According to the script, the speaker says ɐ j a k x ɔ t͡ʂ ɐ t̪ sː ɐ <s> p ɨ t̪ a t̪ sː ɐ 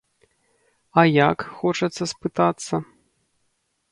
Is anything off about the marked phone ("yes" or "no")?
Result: no